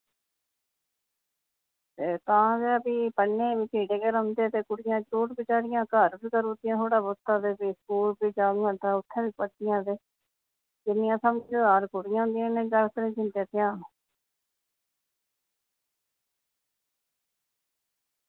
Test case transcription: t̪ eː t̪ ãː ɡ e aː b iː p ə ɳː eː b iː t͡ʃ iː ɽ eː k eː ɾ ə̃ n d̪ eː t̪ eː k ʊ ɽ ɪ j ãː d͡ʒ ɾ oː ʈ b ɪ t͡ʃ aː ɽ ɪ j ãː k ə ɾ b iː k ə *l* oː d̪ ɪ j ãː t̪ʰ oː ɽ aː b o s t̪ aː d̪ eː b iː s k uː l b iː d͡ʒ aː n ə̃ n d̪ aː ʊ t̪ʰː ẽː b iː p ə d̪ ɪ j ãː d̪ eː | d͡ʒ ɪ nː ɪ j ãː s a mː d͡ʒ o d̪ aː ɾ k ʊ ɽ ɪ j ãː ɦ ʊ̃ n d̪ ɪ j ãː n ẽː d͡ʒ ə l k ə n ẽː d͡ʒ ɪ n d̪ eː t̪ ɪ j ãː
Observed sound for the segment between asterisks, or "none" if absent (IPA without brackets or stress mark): ɾ